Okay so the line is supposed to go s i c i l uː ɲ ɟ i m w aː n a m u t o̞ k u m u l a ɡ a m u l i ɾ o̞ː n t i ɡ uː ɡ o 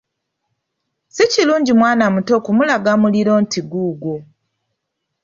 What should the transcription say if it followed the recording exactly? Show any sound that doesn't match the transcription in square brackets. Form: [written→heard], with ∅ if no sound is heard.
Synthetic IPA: s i c i l uː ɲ ɟ i m w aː n a m u t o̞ k u m u l a ɡ a m u l i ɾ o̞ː n t i ɡ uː ɡ o